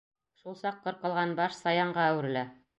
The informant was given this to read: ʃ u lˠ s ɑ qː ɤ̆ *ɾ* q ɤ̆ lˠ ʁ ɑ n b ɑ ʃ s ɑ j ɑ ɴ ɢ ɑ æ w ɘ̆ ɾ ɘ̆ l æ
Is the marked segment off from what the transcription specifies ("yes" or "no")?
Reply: no